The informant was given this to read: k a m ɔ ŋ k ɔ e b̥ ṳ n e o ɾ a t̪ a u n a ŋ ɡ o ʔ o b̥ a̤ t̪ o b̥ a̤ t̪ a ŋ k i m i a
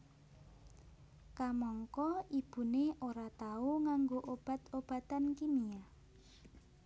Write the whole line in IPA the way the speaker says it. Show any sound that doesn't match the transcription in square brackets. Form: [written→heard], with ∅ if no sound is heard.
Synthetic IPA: k a m ɔ ŋ k ɔ [e→i] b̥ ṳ n e o ɾ a t̪ a u [n→ŋ] a ŋ ɡ o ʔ o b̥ a̤ t̪ o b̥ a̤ t̪ a [ŋ→n] k i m i a